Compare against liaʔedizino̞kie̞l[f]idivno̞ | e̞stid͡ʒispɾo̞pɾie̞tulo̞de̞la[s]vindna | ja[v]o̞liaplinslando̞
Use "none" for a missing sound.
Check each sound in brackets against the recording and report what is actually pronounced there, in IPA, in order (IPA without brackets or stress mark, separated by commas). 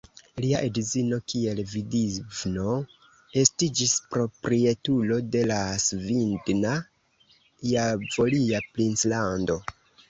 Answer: v, s, v